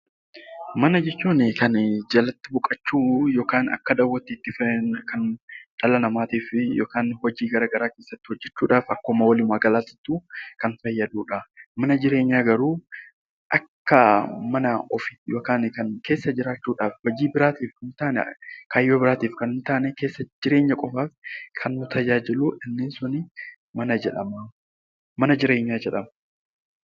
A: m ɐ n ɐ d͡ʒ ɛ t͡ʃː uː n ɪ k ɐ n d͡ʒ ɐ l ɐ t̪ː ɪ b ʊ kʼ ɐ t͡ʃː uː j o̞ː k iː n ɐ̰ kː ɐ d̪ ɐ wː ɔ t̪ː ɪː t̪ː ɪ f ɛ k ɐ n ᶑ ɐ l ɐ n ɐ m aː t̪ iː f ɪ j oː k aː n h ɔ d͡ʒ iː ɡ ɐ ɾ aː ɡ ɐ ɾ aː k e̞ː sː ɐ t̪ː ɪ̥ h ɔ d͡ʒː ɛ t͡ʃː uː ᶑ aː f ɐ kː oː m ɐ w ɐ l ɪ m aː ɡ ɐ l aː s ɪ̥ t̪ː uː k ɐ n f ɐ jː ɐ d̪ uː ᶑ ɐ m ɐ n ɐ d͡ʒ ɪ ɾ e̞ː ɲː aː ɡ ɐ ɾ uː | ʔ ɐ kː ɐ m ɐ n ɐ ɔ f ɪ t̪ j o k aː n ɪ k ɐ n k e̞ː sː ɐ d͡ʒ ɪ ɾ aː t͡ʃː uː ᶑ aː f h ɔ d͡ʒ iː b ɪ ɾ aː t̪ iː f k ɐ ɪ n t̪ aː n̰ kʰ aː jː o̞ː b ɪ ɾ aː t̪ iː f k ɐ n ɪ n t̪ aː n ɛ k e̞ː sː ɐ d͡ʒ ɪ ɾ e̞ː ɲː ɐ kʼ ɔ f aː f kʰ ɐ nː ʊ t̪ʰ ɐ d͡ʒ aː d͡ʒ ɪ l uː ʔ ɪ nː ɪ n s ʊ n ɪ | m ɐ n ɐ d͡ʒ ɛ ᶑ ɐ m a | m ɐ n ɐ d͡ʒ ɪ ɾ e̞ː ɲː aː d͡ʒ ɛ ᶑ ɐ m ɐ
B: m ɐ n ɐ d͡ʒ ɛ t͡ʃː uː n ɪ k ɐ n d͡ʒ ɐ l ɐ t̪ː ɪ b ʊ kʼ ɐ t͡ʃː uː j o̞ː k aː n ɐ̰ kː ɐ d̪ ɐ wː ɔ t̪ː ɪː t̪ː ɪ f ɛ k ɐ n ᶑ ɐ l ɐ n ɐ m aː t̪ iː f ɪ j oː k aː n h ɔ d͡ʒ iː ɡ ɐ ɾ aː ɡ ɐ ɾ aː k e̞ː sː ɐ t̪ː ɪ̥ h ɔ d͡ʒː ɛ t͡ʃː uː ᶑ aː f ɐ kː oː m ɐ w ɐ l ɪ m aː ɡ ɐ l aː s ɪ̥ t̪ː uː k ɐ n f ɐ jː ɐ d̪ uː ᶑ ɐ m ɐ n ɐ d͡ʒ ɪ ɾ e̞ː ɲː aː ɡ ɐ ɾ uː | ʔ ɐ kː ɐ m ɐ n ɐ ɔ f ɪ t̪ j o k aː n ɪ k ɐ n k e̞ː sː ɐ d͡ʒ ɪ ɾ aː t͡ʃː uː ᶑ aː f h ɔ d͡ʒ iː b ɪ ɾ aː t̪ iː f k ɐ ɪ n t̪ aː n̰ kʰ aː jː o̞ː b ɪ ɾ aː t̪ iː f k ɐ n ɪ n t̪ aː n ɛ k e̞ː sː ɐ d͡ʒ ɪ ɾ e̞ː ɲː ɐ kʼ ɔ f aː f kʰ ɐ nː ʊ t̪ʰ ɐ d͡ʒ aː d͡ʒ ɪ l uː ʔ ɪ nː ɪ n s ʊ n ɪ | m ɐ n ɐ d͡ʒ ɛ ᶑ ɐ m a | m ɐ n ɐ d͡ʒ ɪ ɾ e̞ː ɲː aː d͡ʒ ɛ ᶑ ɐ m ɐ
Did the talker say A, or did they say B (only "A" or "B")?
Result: B